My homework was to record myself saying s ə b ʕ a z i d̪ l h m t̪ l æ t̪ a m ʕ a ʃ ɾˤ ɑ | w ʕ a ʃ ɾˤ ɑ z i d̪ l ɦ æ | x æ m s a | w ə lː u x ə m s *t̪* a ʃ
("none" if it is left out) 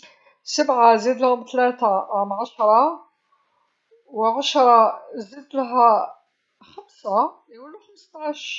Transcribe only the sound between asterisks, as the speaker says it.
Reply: t̪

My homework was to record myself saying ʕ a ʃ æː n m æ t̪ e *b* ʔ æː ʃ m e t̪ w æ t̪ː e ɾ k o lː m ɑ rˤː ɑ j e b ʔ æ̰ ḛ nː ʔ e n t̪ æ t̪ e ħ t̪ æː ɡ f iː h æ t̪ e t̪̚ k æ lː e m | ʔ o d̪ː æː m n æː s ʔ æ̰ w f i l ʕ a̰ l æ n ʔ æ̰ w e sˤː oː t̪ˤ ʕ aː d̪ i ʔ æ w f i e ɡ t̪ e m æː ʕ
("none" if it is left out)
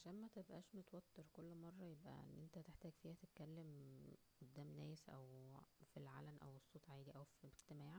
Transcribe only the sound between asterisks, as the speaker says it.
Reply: b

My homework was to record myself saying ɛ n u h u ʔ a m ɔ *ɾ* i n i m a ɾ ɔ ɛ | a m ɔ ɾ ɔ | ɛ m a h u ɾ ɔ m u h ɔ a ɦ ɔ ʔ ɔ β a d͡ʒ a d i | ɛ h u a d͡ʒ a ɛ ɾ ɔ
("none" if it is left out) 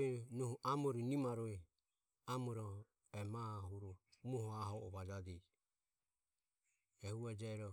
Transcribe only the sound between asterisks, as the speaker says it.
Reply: ɾ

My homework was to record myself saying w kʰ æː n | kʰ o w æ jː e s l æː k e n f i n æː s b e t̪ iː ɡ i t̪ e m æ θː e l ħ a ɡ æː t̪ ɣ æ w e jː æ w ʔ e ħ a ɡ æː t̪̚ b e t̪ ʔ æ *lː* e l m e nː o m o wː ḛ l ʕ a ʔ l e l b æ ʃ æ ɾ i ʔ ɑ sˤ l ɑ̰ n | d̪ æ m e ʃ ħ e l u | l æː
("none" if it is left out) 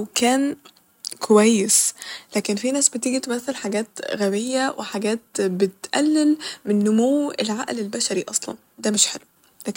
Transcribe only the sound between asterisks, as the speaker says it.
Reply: lː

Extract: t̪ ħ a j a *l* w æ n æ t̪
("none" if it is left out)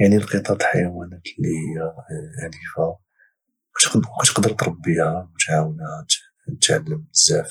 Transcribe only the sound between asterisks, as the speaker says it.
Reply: none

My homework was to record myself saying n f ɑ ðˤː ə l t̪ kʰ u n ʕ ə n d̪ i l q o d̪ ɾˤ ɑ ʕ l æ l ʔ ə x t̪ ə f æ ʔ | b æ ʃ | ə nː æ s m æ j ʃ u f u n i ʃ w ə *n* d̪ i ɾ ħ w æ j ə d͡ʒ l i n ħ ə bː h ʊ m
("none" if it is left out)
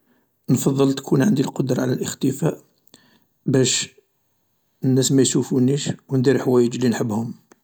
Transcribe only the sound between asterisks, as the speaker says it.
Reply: n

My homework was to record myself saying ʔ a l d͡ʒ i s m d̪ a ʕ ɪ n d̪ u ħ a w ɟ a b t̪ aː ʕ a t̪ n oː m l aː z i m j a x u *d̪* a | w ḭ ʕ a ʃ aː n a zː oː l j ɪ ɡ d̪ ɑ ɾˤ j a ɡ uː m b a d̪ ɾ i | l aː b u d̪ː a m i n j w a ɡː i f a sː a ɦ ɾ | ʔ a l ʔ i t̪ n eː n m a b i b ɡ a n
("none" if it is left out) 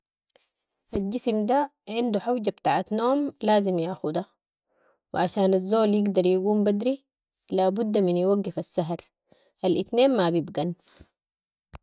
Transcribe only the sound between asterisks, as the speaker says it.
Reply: d̪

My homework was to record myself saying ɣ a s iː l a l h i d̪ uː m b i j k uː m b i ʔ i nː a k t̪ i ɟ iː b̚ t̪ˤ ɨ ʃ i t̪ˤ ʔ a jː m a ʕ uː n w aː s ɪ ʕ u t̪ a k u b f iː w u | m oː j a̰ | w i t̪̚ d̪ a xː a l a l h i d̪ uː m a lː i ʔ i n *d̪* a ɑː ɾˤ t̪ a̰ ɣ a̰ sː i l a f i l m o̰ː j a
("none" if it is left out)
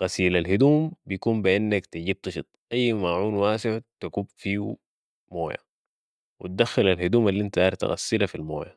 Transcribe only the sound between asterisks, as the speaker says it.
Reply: t̪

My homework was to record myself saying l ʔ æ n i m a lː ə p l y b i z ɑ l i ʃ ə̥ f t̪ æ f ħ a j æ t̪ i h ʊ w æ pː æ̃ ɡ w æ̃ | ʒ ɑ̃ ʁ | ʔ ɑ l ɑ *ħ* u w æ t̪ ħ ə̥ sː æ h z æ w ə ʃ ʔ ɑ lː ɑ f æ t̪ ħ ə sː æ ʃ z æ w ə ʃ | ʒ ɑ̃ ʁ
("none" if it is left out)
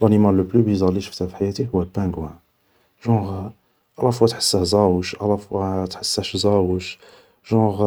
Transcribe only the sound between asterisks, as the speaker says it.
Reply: f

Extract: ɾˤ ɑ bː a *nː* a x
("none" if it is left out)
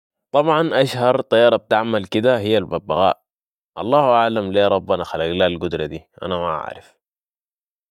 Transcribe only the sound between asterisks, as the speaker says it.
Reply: n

